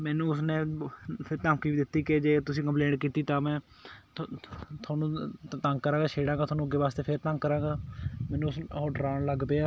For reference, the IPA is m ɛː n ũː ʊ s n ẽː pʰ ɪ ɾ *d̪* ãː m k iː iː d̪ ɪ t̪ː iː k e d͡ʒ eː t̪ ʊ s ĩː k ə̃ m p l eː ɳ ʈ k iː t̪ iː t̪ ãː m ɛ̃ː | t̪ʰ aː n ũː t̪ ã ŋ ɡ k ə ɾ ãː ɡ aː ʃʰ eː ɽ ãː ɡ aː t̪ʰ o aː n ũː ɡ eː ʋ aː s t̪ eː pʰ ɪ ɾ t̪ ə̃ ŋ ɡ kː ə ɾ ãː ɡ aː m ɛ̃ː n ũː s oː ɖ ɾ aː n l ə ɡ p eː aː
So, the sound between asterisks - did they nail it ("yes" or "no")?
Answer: no